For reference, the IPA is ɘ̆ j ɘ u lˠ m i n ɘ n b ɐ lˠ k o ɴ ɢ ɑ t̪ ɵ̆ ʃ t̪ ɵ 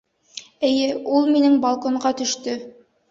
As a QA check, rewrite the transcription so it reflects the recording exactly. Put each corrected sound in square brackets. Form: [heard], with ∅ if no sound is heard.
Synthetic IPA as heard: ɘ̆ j ɘ u lˠ m i n ɘ [ŋ] b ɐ lˠ k o ɴ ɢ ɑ t̪ ɵ̆ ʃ t̪ ɵ